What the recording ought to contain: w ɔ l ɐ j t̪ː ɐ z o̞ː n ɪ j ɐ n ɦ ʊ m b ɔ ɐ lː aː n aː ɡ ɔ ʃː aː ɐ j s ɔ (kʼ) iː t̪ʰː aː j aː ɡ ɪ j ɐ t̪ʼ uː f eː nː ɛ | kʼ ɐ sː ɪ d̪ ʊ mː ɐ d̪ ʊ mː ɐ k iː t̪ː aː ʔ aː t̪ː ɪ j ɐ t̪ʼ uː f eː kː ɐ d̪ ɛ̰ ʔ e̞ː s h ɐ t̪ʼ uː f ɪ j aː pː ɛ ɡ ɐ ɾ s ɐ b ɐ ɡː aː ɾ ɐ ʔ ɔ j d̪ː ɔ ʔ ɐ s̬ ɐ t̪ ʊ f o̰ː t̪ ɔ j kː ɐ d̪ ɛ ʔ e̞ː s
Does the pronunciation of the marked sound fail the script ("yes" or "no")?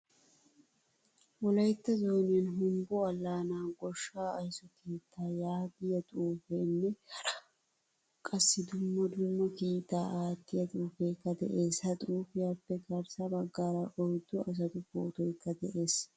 yes